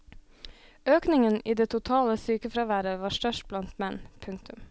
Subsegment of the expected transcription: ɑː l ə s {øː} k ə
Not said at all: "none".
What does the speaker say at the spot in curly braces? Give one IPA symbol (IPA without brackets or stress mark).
yː